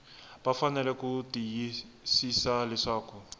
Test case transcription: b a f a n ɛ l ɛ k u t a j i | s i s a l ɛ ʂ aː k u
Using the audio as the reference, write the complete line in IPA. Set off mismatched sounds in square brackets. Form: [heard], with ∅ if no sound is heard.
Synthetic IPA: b a f a n ɛ l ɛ k u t [i] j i | s i s a l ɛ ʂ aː k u